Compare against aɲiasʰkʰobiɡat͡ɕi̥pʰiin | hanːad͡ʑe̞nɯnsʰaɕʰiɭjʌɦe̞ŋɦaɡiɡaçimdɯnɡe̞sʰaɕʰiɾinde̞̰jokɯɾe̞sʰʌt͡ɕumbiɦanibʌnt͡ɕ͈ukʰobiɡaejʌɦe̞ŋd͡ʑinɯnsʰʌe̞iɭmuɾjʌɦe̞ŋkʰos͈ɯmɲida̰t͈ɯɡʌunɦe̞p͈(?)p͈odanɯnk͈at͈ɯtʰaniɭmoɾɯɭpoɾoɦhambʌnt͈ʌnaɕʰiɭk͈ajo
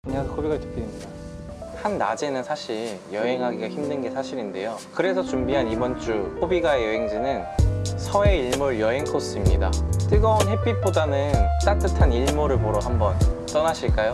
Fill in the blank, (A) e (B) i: B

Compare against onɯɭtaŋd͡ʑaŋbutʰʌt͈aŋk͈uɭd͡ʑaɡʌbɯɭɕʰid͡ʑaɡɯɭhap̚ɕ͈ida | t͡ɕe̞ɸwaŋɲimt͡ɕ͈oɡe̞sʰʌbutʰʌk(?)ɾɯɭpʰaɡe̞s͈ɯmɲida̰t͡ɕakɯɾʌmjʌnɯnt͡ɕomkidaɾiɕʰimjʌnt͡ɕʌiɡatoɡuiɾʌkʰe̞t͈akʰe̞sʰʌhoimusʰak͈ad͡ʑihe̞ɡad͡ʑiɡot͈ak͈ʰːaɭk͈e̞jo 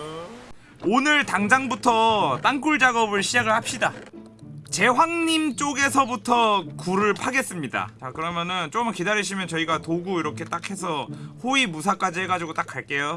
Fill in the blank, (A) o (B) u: B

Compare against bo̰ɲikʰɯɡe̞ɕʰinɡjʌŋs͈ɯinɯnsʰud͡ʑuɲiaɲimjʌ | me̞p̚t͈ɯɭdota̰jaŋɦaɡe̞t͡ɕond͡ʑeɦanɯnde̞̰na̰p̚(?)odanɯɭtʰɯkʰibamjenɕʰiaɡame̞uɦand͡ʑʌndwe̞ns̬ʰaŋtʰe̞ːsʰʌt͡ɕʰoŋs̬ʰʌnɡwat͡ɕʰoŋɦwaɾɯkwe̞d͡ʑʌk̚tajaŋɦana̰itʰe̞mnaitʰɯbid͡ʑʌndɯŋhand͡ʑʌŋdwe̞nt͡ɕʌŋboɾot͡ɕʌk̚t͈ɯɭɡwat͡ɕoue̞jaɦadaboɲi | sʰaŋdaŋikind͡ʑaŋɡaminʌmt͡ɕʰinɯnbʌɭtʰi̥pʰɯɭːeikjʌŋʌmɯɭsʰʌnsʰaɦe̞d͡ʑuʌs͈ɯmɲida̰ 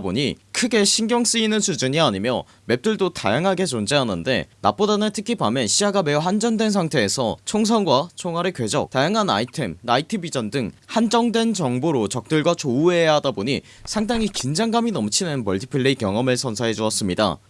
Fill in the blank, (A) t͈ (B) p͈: B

